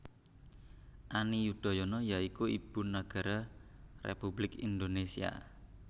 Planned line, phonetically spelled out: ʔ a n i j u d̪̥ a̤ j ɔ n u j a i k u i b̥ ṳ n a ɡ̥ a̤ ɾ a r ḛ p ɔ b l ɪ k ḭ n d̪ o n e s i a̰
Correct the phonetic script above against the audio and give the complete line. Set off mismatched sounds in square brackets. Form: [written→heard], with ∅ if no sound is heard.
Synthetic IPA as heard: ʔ a n i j u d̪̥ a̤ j ɔ n [u→ɔ] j a i k u i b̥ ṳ n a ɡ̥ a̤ ɾ a r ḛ p [ɔ→u] b l ɪ k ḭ n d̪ o n e s i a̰

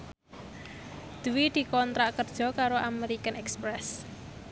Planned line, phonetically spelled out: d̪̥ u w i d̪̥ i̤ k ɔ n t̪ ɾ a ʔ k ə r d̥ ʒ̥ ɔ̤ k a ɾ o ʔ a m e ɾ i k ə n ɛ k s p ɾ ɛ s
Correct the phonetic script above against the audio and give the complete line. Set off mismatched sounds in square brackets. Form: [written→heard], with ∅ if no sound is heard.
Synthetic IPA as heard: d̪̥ u w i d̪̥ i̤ k ɔ n t̪ ɾ a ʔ k ə r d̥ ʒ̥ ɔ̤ k a ɾ o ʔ a m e ɾ i k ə n ɛ k s p ɾ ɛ s

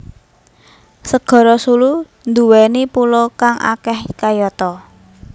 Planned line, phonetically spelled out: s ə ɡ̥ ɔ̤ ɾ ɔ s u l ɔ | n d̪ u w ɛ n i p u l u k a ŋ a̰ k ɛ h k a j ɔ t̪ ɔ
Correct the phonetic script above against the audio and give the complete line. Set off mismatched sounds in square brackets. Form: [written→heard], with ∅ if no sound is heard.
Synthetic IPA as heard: s ə ɡ̥ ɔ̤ ɾ ɔ s u l [ɔ→u] | n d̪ u w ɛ n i p u l [u→ɔ] k a ŋ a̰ k ɛ h k a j ɔ t̪ ɔ

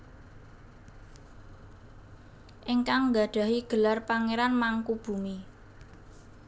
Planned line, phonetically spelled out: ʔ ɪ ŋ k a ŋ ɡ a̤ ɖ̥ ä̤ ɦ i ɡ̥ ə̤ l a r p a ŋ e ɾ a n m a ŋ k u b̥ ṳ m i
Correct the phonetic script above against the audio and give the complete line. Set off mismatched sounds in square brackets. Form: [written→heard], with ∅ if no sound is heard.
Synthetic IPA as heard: ʔ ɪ ŋ k a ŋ ɡ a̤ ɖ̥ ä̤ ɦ i ɡ̥ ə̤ l a r p a ŋ e ɾ a n m a ŋ k u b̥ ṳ m i

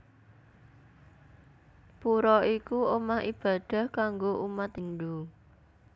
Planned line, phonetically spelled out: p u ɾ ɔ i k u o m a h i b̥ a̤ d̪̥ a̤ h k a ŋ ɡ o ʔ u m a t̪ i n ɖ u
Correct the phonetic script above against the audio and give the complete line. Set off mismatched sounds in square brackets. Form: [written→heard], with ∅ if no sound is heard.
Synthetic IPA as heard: p u ɾ ɔ i k u o m a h i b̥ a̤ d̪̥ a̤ h k a ŋ ɡ o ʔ u m a t̪ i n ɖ u

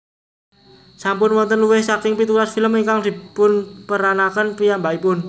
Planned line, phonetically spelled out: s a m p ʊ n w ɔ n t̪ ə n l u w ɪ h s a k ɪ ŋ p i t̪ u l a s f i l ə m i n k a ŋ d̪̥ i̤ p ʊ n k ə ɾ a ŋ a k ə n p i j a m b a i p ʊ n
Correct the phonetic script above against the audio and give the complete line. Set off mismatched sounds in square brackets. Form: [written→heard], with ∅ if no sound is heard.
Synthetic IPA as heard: s a m p ʊ n w ɔ n t̪ ə n l u w ɪ h s a k ɪ ŋ p i t̪ u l a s f i l ə m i [n→ŋ] k a ŋ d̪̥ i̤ p ʊ n [k→p] ə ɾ a [ŋ→n] a k ə n p i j a m b a i p ʊ n

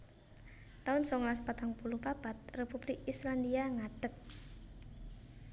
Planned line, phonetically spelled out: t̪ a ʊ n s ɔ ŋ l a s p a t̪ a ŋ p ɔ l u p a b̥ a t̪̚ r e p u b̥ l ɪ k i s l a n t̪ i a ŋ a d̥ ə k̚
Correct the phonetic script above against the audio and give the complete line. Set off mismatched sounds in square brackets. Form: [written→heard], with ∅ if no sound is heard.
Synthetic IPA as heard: t̪ a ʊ n s ɔ ŋ l a s p a t̪ a ŋ p [ɔ→u] l u p a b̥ a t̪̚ r e p u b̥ l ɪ k i s l a n [t̪→d̪] i a ŋ a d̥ ə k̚

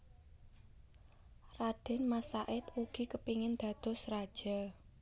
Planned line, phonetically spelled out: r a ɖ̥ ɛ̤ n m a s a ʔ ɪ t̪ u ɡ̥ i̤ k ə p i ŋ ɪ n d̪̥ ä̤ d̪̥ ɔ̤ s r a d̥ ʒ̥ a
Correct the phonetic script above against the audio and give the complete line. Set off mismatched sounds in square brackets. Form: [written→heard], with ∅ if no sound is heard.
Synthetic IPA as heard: r a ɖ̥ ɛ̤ n m a s a ʔ ɪ t̪ u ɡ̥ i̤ k ə p i ŋ ɪ n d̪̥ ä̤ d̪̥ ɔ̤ s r a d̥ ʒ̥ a

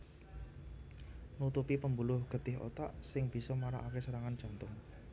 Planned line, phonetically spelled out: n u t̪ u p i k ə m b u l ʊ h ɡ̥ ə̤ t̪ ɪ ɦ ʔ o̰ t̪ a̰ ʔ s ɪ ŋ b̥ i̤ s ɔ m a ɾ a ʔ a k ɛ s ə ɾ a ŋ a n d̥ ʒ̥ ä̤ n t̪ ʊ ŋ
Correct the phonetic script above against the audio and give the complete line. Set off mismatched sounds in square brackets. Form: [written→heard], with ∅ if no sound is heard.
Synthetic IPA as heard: n u t̪ u p i [k→p] ə m b u l ʊ h ɡ̥ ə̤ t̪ ɪ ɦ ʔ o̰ t̪ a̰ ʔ s ɪ ŋ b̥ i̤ s ɔ m a ɾ a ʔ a k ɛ s ə ɾ a ŋ a n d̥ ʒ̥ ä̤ n t̪ ʊ ŋ

